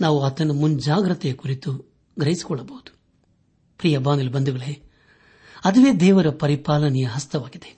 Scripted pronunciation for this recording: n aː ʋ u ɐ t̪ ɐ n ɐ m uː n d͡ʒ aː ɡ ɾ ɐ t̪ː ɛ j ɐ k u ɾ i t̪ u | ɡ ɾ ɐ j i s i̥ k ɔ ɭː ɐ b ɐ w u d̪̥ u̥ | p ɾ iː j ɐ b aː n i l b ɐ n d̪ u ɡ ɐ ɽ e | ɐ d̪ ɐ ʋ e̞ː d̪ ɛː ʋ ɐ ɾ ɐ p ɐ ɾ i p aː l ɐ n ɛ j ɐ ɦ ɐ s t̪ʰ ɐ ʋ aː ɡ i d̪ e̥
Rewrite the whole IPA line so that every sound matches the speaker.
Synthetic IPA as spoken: n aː ʋ u ɐ t̪ ɐ n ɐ m u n d͡ʒ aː ɡ ɾ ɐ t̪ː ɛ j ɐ k u ɾ i t̪ u | ɡ ɾ ɐ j i s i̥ k ɔ ɭː ɐ b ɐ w u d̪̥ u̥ | p ɾ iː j ɐ b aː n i l b ɐ n d̪ u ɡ ɐ ɭ e | ɐ d̪ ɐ ʋ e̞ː d̪ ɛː ʋ ɐ ɾ ɐ p ɐ ɾ i p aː l ɐ n ɛ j ɐ ɦ ɐ s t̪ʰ ɐ ʋ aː ɡ i d̪ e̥